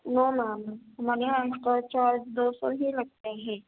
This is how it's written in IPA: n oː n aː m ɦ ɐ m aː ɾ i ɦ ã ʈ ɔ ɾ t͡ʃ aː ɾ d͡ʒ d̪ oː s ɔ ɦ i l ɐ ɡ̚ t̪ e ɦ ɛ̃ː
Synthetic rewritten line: n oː n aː m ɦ ɐ m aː ɾ e ɦ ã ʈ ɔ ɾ t͡ʃ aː ɾ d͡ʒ d̪ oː s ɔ ɦ i l ɐ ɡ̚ t̪ e ɦ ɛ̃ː

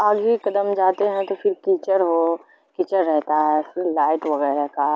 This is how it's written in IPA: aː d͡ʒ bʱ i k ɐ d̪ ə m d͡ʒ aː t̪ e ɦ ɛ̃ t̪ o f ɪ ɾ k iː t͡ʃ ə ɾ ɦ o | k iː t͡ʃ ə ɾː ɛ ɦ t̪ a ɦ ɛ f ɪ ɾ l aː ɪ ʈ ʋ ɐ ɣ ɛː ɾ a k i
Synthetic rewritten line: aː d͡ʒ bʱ i k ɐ d̪ ə m d͡ʒ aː t̪ e ɦ ɛ̃ t̪ o f ɪ ɾ k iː t͡ʃ ə ɾ ɦ o | k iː t͡ʃ ə ɾː ɛ ɦ t̪ a ɦ ɛ f ɪ ɾ l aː ɪ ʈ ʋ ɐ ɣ ɛː ɾ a k a

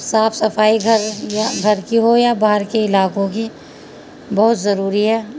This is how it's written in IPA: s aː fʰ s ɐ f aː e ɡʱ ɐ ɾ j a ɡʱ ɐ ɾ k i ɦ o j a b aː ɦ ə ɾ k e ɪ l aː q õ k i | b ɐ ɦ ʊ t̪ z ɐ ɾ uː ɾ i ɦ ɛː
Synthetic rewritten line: s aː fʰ s ɐ f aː i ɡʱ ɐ ɾ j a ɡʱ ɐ ɾ k i ɦ o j a b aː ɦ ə ɾ k e ɪ l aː k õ k i | b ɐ ɦ ʊ t̪ z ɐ ɾ uː ɾ i ɦ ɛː

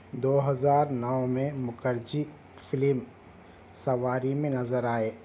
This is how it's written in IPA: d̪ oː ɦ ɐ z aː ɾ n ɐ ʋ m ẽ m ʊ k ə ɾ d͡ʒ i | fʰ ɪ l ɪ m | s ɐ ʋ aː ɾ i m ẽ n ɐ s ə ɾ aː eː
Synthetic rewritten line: d̪ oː ɦ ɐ z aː ɾ n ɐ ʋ m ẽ m ʊ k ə ɾ d͡ʒ i | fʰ ɪ l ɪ m | s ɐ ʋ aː ɾ i m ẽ n ɐ z ə ɾ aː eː

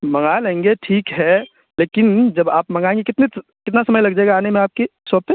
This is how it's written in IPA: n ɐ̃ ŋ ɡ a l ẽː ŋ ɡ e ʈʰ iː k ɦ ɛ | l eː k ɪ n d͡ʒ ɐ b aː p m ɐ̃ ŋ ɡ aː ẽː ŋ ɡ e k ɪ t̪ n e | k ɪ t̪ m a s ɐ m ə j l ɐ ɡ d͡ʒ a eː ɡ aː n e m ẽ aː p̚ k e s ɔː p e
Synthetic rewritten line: m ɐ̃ ŋ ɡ a l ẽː ŋ ɡ e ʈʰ iː k ɦ ɛ | l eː k ɪ n d͡ʒ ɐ b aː p m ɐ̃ ŋ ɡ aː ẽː ŋ ɡ e k ɪ t̪ n e | k ɪ t̪ n a s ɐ m ə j l ɐ ɡ d͡ʒ a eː ɡ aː n e m ẽ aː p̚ k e s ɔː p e

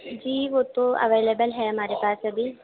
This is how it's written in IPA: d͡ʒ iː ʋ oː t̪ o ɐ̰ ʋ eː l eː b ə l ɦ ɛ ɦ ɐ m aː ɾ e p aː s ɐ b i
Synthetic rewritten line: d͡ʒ iː ʋ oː t̪ o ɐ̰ ʋ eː l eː b ə l ɦ ɛ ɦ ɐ m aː ɾ e p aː s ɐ b i

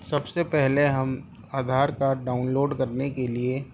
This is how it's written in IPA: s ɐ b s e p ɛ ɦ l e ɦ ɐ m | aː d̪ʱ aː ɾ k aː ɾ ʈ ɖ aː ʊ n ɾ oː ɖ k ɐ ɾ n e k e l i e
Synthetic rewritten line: s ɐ b s e p ɛ ɦ l e ɦ ɐ m | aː d̪ʱ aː ɾ k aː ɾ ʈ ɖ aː ʊ n l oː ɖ k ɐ ɾ n e k e l i e

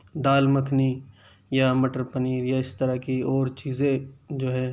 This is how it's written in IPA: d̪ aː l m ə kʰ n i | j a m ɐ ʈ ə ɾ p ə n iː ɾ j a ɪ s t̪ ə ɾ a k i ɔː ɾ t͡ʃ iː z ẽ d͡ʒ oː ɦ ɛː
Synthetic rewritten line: d̪ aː l m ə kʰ n i | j a m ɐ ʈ ə ɾ p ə n iː ɾ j a ɪ s t̪ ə ɾ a k i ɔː ɾ t͡ʃ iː z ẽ d͡ʒ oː ɦ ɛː

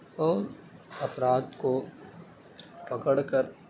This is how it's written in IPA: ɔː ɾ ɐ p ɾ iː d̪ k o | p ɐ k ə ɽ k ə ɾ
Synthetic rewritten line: ɔː ɾ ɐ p ɾ aː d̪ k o | p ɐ k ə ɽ k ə ɾ

